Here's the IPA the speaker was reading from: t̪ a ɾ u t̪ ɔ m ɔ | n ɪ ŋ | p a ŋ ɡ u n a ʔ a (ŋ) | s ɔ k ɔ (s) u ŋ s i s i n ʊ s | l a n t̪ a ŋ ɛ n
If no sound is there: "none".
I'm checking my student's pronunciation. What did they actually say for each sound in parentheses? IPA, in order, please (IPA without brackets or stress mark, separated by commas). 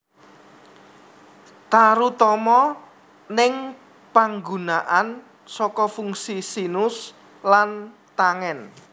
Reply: n, f